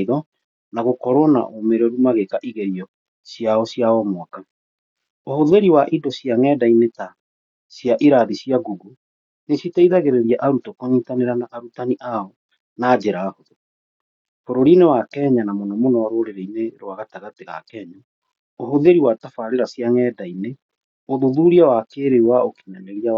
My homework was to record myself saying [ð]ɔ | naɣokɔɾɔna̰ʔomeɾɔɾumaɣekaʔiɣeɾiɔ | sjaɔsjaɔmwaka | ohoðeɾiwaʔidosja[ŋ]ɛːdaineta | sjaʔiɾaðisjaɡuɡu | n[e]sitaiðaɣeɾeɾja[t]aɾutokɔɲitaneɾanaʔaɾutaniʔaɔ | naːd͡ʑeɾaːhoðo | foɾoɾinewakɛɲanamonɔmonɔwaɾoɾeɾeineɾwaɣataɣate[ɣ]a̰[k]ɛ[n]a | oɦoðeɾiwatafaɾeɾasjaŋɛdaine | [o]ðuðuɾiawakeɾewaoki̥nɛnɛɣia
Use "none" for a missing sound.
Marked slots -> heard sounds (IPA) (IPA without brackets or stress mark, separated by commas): ð, ŋ, e, ʔ, ɣ, k, ɲ, o